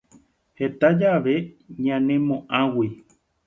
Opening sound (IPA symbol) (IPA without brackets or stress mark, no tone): h